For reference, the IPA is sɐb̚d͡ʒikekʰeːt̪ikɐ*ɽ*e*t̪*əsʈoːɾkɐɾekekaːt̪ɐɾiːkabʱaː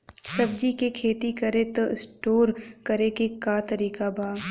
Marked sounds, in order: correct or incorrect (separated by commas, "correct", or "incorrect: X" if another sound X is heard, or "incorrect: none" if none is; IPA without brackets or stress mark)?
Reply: incorrect: ɾ, correct